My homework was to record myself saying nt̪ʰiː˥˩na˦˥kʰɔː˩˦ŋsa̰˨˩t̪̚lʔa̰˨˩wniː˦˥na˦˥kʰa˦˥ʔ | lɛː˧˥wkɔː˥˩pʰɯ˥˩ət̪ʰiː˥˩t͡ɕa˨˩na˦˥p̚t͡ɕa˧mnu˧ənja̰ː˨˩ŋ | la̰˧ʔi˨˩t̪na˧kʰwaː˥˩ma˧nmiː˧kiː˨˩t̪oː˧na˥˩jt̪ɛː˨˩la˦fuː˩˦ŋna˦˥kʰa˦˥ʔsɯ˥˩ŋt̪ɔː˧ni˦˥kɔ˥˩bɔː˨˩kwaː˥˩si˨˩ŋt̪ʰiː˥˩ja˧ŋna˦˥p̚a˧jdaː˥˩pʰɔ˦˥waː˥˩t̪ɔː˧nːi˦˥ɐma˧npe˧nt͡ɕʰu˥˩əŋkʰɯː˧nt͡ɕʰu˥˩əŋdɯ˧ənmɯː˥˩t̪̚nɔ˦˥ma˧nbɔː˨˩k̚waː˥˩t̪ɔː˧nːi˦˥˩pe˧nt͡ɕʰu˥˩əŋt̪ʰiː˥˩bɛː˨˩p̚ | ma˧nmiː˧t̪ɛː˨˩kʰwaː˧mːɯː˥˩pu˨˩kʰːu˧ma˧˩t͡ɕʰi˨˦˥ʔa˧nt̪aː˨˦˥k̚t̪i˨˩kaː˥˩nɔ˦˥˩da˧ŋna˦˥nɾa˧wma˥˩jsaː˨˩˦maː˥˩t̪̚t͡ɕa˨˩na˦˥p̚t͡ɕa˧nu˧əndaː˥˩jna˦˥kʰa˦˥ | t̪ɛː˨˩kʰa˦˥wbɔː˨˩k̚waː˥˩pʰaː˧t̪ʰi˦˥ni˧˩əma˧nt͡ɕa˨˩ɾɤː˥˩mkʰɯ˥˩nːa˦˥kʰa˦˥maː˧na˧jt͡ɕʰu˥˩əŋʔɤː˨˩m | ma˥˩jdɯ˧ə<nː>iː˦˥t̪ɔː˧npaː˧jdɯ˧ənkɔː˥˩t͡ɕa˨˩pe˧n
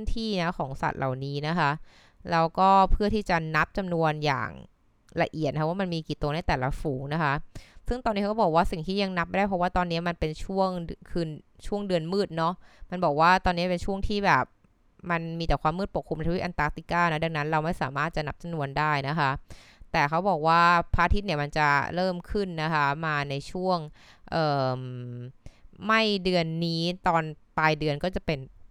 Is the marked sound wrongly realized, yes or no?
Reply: no